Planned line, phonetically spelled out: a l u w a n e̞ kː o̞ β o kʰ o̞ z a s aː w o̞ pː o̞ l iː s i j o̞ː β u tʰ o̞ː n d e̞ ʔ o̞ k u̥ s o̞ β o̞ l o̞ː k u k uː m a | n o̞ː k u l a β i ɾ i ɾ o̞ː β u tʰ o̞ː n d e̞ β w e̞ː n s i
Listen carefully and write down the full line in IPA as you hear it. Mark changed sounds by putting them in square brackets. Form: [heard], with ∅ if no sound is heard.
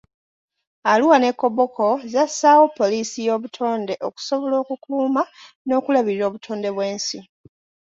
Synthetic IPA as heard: a l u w a n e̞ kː o̞ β o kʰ o̞ z a s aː w o̞ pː o̞ l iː s i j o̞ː β u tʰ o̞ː n d e̞ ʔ o̞ k u̥ s o̞ β o̞ l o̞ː k u k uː m a | n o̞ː k u l a β i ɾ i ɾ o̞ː β u tʰ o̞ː n d e̞ β w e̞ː n s i